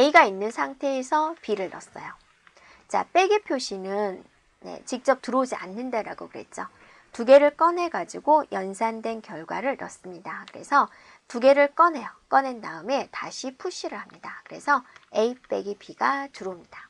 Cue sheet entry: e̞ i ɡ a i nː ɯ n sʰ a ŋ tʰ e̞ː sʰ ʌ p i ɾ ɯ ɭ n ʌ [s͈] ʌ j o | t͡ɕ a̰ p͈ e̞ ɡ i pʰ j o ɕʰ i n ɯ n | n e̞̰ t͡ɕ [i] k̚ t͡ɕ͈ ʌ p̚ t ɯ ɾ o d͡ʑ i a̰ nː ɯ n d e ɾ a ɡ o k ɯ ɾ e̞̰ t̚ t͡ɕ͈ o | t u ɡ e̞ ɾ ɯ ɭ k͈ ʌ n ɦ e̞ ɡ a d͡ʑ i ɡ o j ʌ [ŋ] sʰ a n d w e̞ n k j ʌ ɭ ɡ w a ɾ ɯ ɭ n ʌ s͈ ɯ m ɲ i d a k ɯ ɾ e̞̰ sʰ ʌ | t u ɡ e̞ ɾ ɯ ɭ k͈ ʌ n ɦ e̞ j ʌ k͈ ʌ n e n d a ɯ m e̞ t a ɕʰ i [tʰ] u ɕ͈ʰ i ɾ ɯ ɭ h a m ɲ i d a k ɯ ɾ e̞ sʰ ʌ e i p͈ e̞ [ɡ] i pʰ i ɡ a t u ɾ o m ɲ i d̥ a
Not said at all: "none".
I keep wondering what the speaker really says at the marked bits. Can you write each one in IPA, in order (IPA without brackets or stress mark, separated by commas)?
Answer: s͈, i, n, pʰ, ɡ